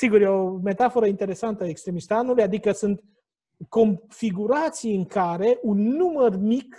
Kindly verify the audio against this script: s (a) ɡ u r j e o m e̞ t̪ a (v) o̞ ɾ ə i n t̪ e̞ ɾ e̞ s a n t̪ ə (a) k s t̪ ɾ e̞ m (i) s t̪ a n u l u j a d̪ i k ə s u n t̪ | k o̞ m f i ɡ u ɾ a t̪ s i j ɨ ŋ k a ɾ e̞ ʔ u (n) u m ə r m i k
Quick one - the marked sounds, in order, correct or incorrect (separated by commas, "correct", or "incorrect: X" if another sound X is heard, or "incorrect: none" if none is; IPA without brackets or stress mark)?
incorrect: i, incorrect: f, incorrect: e, correct, incorrect: nː